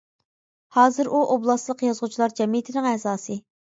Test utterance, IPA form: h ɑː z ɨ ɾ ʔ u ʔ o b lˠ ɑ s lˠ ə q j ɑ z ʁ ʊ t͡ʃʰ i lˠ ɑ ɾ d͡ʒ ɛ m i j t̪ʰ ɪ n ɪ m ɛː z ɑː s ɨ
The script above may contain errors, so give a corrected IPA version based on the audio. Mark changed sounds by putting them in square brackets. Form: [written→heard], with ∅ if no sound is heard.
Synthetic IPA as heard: h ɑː z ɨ ɾ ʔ u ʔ o b lˠ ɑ s lˠ ə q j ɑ z ʁ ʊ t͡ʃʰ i lˠ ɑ ɾ d͡ʒ ɛ m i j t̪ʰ ɪ n ɪ [m→ŋ] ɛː z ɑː s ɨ